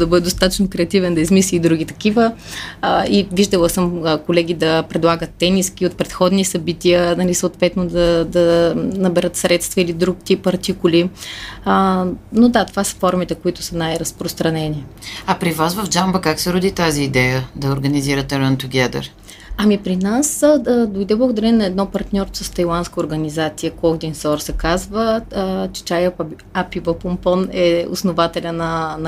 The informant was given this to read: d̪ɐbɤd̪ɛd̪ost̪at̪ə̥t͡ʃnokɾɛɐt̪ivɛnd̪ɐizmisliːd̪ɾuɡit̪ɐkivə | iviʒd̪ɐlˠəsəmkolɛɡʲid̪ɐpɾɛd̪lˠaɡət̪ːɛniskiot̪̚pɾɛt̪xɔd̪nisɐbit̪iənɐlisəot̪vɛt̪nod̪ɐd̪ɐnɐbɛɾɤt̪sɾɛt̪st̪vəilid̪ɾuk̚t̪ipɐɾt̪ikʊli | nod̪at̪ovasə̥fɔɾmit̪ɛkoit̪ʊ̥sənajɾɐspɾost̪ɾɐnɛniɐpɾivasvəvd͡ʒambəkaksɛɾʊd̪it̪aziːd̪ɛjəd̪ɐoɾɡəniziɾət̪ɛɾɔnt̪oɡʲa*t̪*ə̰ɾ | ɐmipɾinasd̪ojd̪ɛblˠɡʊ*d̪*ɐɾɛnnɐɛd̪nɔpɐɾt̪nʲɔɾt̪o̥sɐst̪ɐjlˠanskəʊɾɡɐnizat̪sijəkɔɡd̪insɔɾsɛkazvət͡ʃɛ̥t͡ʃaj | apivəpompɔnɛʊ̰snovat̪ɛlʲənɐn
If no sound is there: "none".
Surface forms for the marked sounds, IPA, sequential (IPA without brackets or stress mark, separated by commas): d̪, d̪